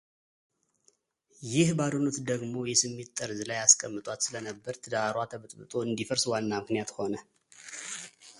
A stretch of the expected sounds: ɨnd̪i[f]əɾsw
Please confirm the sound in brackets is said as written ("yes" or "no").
yes